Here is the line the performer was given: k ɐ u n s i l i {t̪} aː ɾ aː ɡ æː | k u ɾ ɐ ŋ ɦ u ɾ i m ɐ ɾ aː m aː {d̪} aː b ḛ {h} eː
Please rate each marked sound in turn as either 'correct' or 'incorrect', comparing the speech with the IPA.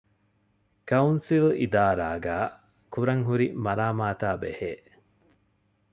incorrect: d̪, incorrect: t̪, correct

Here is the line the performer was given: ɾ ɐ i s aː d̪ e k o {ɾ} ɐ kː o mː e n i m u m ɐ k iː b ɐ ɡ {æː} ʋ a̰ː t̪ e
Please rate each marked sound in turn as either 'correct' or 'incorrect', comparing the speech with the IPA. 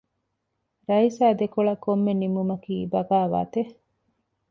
incorrect: ɭ, incorrect: aː

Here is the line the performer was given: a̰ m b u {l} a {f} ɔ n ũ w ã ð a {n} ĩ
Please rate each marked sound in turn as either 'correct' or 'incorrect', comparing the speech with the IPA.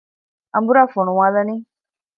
incorrect: ɾ, correct, correct

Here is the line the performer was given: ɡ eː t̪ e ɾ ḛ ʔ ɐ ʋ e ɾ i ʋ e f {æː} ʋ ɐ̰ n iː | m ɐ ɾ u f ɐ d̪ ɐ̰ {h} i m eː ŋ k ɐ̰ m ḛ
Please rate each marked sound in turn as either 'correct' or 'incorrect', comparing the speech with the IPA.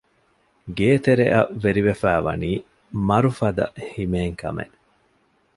correct, correct

